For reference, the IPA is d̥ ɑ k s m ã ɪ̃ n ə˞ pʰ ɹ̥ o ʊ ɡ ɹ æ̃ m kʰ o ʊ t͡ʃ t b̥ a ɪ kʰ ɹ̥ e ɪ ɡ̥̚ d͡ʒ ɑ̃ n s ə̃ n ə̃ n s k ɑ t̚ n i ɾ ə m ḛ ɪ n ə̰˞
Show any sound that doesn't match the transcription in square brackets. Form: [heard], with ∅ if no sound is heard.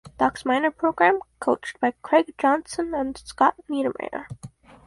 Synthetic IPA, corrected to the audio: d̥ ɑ k s m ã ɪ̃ n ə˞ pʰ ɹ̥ o ʊ ɡ ɹ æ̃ m kʰ o ʊ t͡ʃ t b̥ a ɪ kʰ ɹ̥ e ɪ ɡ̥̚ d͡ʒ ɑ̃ n s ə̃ n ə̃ n s k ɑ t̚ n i ɾ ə m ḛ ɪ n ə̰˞